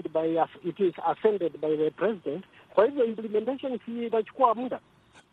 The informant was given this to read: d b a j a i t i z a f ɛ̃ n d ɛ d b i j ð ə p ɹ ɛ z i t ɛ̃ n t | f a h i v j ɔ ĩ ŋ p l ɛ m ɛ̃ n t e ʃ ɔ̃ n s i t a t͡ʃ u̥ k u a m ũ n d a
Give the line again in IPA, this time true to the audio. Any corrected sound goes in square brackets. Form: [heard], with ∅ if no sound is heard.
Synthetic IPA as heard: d b a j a i t i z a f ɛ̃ n d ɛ d b [a] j ð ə p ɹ ɛ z i [d] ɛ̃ n t | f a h i v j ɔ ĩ [m] p l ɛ m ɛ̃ n t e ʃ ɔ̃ n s i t a t͡ʃ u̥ k u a m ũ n d a